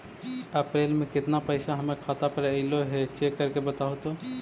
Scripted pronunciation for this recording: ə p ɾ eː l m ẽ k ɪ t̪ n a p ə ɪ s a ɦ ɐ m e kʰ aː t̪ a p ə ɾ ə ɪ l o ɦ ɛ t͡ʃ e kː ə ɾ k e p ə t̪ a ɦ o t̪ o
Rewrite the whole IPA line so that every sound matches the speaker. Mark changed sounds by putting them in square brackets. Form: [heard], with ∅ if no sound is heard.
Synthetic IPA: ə p ɾ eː l m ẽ k ɪ t̪ n a p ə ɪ s a ɦ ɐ m e kʰ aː t̪ a p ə ɾ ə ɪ l o ɦ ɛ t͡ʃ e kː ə ɾ k e [b] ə t̪ a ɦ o t̪ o